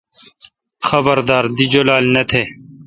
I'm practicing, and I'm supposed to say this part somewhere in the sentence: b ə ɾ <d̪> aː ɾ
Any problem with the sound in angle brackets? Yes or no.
no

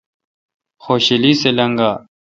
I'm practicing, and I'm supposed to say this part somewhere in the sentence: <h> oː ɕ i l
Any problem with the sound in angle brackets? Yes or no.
yes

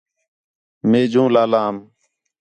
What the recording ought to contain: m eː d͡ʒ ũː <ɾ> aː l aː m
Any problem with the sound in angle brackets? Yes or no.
yes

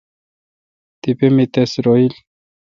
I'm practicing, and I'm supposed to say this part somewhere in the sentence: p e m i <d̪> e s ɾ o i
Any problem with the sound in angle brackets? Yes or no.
yes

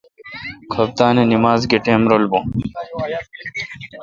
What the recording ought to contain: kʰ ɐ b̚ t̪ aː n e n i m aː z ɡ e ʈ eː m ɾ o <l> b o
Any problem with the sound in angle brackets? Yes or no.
no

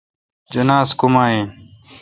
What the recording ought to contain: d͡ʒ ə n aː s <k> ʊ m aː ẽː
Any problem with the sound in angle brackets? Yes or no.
no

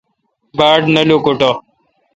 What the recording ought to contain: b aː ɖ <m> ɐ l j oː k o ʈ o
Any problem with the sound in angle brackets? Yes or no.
yes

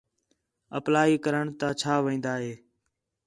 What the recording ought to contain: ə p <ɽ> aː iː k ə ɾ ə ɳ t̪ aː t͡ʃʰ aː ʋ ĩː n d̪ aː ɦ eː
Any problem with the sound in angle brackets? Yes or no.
yes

